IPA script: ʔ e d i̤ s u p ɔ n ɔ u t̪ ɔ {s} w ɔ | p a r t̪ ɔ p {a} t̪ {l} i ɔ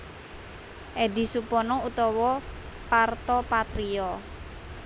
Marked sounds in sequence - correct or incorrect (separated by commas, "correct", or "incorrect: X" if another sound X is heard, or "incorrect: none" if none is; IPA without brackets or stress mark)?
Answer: incorrect: none, correct, incorrect: ɾ